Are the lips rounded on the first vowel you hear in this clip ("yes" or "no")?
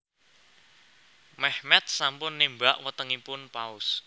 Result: no